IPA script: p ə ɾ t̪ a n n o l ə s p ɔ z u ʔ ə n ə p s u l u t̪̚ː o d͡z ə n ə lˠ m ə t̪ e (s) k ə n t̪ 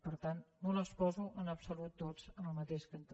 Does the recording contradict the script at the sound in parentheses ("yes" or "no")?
yes